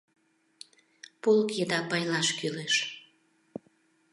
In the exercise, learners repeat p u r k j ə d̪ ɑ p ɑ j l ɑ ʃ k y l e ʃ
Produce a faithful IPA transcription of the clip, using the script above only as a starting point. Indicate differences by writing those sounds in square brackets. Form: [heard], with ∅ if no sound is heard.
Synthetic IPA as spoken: p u [l] k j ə d̪ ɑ p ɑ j l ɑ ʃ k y l e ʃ